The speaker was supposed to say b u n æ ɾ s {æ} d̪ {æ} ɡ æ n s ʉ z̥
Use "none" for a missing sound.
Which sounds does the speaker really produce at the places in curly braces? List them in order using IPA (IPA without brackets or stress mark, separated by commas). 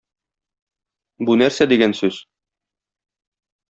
æ, i